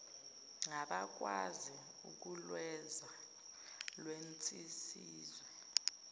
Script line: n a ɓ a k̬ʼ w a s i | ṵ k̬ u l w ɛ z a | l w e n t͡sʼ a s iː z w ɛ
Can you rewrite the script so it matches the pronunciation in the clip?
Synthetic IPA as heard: ŋ a ɓ a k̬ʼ w a z i | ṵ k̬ u l w ɛ z a | l w e n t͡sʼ i s iː z w ɛ